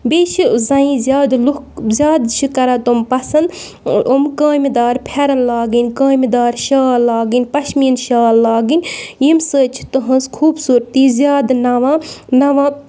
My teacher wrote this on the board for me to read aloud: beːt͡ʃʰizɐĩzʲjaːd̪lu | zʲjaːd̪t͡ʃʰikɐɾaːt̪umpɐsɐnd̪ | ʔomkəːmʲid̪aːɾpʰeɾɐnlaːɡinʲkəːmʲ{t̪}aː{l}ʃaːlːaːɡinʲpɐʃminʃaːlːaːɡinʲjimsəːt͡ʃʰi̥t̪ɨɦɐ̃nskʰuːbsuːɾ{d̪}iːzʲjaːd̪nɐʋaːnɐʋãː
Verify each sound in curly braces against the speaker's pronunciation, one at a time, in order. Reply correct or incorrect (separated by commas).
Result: incorrect, incorrect, incorrect